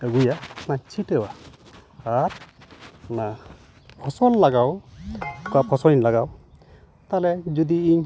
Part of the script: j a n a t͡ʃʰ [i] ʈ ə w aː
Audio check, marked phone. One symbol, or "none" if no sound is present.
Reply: i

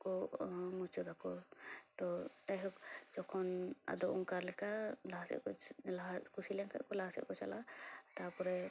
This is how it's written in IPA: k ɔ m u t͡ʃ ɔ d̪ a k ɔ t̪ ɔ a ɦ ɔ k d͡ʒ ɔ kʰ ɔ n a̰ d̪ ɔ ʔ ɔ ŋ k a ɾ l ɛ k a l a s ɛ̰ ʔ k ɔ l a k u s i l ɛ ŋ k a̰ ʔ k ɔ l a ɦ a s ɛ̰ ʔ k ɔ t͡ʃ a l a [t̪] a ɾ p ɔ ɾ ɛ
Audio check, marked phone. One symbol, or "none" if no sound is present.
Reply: t̪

